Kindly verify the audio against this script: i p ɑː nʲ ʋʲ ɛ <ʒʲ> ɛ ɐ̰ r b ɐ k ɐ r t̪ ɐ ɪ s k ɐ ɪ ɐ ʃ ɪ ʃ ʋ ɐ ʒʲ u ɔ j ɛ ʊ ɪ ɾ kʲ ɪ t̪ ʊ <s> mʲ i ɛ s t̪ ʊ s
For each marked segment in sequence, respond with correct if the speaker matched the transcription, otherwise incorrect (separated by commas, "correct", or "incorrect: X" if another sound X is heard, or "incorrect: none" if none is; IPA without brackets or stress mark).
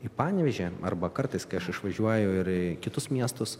correct, correct